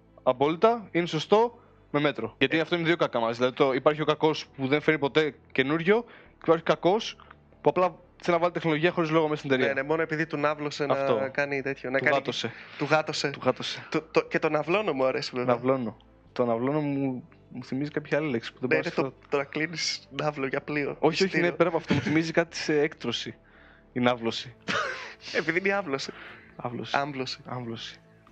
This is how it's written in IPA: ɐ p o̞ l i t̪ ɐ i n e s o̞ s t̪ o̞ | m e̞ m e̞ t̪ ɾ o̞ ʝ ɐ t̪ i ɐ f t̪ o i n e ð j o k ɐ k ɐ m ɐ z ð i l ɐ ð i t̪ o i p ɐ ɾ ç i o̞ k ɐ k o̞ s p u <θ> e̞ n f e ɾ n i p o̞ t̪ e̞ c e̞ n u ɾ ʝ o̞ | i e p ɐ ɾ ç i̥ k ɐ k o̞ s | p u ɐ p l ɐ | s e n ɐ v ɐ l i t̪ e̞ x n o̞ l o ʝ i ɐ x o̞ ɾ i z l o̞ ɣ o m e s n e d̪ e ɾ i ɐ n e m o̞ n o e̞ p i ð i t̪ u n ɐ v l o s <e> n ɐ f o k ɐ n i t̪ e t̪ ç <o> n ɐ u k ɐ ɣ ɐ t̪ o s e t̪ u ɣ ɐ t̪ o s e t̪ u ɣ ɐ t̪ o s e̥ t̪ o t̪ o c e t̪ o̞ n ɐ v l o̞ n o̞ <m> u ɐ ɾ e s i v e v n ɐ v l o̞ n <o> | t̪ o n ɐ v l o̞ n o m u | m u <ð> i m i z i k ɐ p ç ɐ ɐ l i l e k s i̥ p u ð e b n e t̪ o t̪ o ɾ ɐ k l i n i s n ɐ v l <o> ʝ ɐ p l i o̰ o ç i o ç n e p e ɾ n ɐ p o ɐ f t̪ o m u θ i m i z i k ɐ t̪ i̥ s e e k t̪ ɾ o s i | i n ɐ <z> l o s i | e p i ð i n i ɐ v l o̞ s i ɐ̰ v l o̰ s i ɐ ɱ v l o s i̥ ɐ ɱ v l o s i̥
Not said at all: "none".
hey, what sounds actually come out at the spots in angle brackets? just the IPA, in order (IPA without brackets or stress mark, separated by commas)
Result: ð, e, o, m, o, θ, o, v